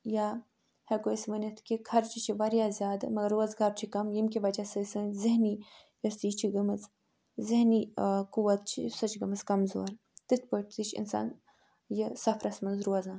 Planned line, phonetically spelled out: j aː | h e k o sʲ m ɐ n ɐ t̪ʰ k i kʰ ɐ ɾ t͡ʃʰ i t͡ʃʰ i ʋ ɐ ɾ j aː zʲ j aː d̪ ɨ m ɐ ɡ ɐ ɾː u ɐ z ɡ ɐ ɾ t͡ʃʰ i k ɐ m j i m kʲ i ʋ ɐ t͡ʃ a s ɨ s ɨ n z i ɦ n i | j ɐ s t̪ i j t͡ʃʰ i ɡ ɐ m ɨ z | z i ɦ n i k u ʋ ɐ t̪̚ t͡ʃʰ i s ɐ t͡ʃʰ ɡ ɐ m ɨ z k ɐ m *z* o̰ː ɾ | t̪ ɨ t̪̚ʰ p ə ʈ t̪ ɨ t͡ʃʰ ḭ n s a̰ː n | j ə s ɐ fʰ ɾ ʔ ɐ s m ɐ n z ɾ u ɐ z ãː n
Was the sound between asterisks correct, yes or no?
yes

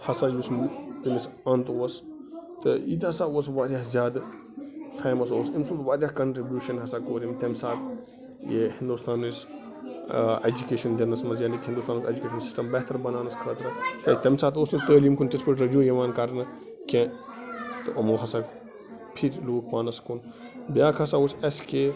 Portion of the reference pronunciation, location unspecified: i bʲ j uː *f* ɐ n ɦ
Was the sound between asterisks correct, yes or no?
no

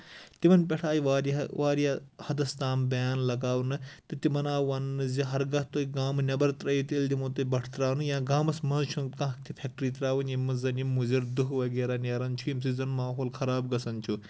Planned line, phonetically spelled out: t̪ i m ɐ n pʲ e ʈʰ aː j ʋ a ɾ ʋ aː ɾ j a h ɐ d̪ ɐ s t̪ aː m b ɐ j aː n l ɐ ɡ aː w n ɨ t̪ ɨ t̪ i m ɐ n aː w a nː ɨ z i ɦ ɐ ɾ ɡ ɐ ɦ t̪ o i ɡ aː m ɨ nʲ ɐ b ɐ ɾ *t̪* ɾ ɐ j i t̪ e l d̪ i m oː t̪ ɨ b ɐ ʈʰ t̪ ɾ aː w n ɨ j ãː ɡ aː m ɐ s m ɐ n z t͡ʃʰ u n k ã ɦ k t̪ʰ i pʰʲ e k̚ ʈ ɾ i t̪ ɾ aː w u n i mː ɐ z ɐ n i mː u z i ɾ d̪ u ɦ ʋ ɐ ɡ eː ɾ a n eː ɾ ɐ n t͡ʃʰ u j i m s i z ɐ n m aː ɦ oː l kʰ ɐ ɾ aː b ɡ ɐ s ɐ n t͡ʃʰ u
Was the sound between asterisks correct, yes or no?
yes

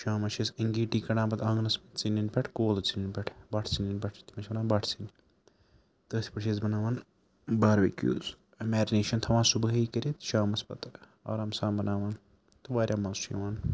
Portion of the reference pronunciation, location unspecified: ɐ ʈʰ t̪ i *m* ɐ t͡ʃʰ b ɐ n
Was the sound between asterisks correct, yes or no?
yes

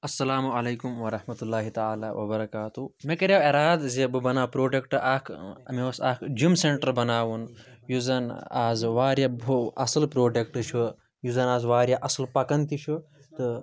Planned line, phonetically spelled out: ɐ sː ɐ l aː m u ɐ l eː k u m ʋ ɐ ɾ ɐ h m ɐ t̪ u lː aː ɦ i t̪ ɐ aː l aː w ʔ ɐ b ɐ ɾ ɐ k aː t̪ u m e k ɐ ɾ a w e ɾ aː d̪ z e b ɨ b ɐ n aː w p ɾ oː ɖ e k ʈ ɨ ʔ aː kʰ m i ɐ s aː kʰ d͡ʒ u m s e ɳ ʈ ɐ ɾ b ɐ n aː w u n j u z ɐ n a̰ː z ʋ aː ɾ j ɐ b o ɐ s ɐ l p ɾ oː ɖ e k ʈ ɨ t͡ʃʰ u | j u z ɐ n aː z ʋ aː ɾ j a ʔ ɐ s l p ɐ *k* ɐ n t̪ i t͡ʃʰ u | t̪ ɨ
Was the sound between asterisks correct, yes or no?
yes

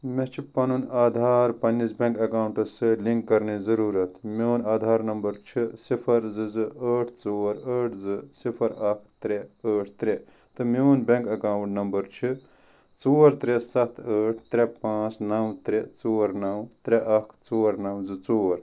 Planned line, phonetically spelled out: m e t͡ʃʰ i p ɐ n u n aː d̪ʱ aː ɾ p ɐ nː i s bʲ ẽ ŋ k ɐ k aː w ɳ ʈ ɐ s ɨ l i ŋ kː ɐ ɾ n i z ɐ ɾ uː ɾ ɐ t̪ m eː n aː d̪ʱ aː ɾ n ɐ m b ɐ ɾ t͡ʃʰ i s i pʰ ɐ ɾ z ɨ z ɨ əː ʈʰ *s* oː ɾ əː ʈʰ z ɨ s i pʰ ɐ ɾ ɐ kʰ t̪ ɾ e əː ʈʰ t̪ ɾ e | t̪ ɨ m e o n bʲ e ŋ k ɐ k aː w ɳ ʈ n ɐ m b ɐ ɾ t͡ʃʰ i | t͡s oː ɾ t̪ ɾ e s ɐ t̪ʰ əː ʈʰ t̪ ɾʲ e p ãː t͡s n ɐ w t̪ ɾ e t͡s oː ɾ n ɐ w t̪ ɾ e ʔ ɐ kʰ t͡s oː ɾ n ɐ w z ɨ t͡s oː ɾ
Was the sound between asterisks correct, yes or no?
no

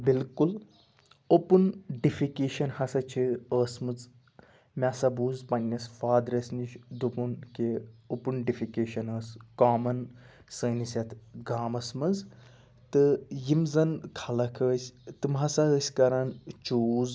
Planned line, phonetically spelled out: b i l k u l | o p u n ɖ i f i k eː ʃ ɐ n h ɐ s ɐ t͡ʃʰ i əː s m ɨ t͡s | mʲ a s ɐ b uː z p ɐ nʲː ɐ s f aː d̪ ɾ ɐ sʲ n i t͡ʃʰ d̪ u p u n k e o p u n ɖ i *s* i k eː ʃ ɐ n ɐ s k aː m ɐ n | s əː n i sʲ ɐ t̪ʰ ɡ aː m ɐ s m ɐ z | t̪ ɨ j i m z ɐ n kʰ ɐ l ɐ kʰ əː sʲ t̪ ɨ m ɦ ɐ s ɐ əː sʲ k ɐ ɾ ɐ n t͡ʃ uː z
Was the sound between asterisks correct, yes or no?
no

